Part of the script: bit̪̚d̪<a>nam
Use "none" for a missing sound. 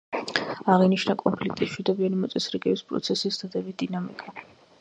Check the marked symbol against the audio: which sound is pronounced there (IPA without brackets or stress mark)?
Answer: i